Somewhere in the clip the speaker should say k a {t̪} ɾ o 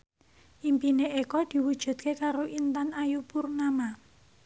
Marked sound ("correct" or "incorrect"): incorrect